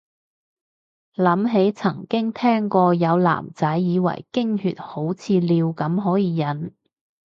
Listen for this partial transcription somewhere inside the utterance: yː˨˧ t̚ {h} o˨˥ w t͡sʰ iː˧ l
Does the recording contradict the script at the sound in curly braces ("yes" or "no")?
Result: no